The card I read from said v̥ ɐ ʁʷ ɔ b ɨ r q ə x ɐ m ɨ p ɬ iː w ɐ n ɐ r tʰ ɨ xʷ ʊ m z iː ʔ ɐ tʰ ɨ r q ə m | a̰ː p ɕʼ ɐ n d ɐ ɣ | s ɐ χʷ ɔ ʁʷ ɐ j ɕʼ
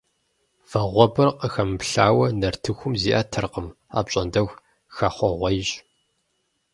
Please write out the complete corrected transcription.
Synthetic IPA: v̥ ɐ ʁʷ ɔ b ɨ r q ə x ɐ m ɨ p ɬ aː w ɐ n ɐ r tʰ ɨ xʷ ʊ m z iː ʔ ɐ tʰ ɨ r q ə m | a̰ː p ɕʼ ɐ n d ɐ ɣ | x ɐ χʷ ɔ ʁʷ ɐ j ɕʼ